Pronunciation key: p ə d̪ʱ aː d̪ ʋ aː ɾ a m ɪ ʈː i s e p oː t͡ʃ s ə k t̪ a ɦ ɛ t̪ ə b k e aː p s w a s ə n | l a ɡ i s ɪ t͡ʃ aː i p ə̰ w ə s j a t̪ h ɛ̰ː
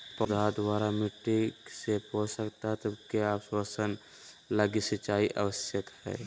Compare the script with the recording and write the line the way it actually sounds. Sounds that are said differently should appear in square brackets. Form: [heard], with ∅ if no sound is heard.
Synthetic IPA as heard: p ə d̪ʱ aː d̪ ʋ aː ɾ a m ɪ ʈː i s e p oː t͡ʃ s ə k t̪ a ɦ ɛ t̪ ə b k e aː p s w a s ə n | l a ɡ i s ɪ t͡ʃ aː i [ʔ] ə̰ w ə s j [ə] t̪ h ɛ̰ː